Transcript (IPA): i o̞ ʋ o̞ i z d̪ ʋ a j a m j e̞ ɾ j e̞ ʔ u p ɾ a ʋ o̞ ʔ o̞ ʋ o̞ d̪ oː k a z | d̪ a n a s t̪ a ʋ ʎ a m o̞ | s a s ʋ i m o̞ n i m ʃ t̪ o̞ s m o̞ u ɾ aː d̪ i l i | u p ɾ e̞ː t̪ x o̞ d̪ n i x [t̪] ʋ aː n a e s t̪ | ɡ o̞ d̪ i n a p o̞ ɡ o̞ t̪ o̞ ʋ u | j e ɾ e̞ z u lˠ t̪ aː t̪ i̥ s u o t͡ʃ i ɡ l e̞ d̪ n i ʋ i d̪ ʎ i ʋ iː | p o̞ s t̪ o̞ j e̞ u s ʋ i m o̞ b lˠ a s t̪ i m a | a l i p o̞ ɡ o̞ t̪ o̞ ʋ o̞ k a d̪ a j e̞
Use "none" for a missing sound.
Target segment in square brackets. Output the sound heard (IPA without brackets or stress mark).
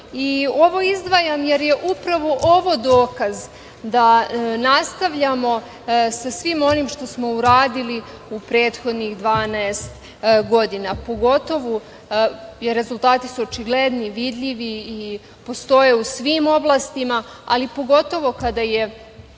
d̪